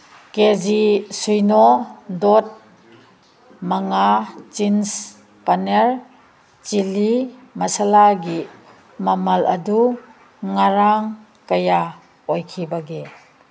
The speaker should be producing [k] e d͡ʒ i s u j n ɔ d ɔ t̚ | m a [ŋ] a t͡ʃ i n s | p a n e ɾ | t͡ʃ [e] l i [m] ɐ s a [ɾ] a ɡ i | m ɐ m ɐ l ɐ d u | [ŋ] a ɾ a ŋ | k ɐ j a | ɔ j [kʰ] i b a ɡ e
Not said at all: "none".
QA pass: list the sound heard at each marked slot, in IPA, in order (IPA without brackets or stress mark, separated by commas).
k, ŋ, i, m, l, ŋ, kʰ